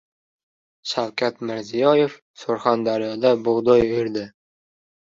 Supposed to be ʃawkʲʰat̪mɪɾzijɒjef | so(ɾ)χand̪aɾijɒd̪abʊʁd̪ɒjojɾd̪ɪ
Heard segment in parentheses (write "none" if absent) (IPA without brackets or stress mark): ɾ